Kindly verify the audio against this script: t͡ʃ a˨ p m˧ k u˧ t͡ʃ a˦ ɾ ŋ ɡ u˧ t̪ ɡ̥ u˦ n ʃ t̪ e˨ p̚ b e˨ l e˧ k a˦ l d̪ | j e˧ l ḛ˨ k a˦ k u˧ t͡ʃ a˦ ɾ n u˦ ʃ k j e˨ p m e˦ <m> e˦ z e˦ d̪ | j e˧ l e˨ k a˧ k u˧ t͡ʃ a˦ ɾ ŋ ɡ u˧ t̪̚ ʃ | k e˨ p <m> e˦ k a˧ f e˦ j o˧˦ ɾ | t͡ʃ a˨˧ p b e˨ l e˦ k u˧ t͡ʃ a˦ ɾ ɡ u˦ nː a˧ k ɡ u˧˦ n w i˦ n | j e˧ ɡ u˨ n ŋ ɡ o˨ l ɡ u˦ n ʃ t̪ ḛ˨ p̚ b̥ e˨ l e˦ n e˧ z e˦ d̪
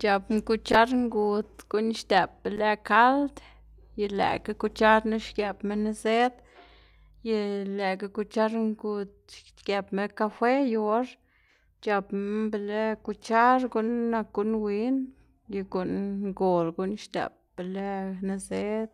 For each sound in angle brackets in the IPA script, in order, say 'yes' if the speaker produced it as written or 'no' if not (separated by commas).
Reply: no, yes